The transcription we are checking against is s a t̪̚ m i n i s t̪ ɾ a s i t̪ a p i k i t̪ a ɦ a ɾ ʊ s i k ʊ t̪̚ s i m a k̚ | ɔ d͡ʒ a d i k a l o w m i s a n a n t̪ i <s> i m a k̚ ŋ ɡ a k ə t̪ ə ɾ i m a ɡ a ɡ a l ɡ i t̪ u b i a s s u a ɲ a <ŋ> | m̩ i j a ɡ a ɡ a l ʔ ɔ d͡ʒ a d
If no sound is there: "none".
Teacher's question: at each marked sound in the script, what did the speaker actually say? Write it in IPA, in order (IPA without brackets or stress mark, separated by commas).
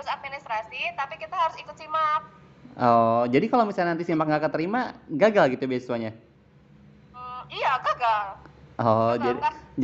s, none